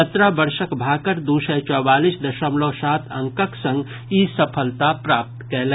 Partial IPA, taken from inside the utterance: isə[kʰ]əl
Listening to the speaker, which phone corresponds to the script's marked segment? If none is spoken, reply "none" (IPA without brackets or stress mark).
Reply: pʰ